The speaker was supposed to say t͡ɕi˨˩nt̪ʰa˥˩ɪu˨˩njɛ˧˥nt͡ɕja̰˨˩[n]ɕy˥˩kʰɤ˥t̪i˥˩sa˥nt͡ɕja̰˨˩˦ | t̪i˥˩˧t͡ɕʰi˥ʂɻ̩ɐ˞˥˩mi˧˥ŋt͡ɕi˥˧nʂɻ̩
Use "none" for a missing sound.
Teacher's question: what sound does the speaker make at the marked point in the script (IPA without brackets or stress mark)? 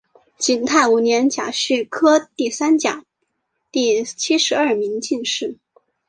none